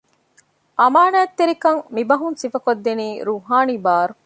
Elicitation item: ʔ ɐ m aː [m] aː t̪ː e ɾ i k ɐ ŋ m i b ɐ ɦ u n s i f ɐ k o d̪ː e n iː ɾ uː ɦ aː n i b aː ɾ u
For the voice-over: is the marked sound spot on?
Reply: no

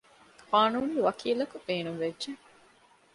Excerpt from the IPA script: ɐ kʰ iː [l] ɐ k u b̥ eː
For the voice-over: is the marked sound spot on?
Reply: yes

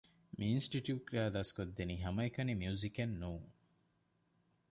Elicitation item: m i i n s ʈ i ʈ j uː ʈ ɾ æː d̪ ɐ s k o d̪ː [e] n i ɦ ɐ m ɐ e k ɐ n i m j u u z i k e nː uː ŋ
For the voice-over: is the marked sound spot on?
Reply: yes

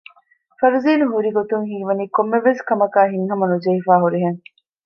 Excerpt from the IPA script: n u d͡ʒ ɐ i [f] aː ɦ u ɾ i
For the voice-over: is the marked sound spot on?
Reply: yes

